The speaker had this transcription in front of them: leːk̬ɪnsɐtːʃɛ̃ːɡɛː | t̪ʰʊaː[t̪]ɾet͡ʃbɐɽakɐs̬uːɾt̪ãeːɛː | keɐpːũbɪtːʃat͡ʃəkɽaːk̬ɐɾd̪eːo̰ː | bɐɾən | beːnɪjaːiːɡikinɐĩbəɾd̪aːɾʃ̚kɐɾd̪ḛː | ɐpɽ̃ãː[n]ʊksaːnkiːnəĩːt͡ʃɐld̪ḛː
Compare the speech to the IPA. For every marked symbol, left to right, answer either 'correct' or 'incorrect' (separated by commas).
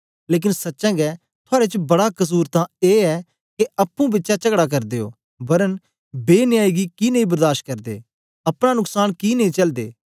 incorrect, correct